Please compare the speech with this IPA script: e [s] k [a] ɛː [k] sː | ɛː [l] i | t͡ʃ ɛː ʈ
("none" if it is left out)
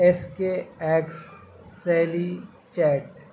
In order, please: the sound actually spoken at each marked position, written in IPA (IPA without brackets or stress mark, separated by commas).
s, e, k, l